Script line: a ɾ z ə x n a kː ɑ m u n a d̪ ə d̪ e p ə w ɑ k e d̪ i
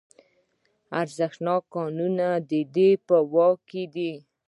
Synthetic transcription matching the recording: a ɾ z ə x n ɑ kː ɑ n u n a d̪ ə d̪ e p ə w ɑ k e d̪ i